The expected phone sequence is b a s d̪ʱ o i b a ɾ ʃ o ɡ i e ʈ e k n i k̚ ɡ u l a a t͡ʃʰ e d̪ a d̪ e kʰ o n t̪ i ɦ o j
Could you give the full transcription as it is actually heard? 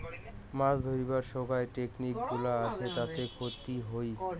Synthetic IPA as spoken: m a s d̪ʱ o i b a ɾ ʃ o ɡ a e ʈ e k n i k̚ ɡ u l a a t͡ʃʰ e t̪ a t̪ e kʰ o t̪ i ɦ o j